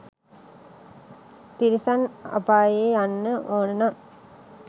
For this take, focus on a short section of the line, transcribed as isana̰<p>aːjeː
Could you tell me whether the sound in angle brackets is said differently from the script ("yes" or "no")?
no